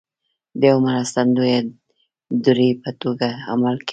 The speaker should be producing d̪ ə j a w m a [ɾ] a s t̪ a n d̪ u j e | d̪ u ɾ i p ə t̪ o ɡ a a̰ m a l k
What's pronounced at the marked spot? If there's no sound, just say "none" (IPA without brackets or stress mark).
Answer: ɾ